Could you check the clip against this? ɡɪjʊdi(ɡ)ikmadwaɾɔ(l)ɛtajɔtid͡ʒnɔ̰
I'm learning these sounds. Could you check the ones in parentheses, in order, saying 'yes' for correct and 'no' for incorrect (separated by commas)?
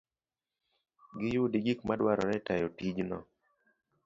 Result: yes, no